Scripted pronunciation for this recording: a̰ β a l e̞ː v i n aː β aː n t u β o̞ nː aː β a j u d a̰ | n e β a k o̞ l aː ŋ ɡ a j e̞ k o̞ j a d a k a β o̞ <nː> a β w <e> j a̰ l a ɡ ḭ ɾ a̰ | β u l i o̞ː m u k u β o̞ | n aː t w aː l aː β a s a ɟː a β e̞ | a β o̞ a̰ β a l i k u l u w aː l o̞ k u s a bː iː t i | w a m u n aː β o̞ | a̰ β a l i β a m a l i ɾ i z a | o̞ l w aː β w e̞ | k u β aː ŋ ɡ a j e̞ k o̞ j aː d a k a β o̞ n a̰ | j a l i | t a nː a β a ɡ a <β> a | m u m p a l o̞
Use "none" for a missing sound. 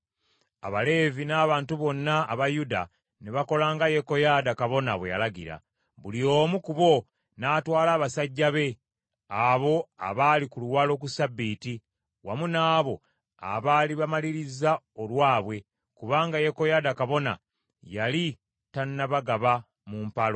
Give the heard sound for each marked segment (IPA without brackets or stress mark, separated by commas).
n, e, β